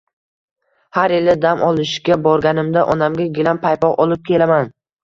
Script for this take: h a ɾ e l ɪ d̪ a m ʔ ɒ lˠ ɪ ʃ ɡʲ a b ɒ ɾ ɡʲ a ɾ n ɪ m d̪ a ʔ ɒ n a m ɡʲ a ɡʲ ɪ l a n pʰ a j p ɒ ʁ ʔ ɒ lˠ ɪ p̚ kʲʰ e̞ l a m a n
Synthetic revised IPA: h a ɾ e l ɪ d̪ a m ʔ ɒ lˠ ɪ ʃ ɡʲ a b ɒ ɾ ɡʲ a n ɪ m d̪ a ʔ ɒ n a m ɡʲ a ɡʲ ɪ l a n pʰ a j p ɒ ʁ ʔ ɒ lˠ ɪ p̚ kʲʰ e̞ l a m a n